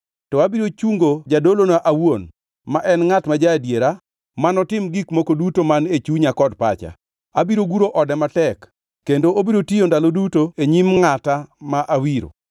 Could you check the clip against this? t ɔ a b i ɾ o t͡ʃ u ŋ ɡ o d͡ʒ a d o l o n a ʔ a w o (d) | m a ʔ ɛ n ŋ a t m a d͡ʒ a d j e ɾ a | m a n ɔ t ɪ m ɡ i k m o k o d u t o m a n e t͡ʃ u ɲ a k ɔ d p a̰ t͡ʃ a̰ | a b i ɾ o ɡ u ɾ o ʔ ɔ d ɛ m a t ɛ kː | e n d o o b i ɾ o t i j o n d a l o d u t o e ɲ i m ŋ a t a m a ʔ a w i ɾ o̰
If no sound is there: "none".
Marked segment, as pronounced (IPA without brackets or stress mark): n